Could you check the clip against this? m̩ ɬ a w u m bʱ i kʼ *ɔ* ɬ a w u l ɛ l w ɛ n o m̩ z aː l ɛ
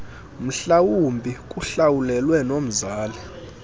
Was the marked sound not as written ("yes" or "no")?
yes